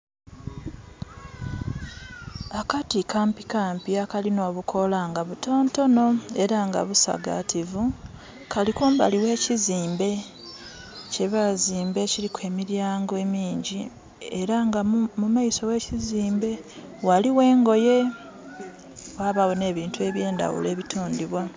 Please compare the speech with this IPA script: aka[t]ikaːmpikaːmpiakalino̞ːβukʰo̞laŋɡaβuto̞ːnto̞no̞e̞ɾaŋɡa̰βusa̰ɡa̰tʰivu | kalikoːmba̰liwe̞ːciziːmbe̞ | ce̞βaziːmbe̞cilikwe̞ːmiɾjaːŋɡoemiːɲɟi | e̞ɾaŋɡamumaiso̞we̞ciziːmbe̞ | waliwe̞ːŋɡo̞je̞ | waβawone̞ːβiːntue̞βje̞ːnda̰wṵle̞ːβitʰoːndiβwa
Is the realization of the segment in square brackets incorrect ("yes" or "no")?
no